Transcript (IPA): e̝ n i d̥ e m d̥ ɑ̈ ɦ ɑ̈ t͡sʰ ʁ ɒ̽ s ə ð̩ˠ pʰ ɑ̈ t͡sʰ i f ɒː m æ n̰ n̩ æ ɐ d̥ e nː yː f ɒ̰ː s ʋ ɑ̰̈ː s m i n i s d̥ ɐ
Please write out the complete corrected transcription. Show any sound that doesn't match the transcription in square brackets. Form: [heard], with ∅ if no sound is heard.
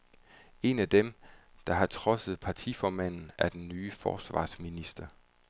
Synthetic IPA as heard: e̝ n [æ] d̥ e m d̥ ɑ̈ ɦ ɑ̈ t͡sʰ ʁ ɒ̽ s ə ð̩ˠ pʰ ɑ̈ t͡sʰ i f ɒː m æ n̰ n̩ æ ɐ d̥ e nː yː f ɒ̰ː s ʋ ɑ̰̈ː s m i n i s d̥ ɐ